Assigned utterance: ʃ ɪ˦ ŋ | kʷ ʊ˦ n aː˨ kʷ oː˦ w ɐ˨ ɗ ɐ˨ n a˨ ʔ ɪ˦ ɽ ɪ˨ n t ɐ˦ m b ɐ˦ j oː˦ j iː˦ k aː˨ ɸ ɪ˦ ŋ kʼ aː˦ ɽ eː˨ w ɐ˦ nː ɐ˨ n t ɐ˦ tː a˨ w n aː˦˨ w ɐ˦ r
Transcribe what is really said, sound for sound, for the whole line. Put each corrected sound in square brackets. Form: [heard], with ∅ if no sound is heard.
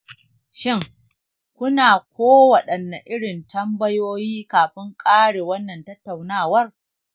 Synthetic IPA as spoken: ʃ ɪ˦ ŋ | kʷ ʊ˦ n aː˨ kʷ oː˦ w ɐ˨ ɗ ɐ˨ [nː] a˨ ʔ ɪ˦ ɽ ɪ˨ n t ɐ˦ m b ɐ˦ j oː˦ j iː˦ k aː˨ ɸ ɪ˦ ŋ kʼ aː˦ ɽ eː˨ w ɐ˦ nː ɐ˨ n t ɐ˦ tː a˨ w n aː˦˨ w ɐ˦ r